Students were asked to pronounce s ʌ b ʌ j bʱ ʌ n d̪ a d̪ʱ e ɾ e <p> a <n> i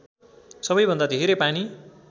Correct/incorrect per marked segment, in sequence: correct, correct

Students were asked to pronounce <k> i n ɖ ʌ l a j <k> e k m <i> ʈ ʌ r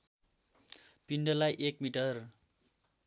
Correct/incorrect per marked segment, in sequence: incorrect, incorrect, correct

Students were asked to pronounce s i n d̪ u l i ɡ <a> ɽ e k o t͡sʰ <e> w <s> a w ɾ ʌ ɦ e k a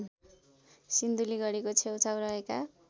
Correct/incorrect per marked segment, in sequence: incorrect, correct, incorrect

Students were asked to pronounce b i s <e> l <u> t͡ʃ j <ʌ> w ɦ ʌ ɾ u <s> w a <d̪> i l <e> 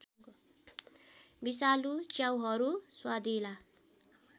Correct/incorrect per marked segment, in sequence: incorrect, correct, incorrect, correct, correct, incorrect

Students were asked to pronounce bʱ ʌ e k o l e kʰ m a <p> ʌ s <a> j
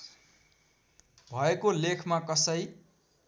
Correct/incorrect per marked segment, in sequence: incorrect, incorrect

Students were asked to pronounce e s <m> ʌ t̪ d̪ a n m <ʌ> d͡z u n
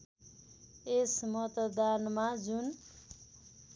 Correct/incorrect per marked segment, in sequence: correct, incorrect

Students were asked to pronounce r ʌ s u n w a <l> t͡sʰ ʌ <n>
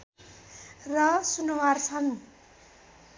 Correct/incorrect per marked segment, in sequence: incorrect, correct

